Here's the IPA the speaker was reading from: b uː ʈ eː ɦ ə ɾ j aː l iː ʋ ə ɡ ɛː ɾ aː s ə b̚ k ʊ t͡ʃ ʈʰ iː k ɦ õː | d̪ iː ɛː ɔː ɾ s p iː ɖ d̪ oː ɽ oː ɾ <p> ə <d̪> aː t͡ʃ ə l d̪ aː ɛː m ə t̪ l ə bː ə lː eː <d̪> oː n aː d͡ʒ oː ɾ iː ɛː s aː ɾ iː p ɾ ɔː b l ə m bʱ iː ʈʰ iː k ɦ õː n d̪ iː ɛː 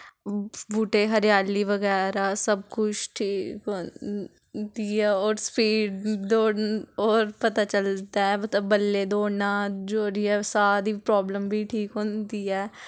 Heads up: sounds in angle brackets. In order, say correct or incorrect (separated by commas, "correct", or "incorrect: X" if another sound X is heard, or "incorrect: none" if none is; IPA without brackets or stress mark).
correct, incorrect: t̪, correct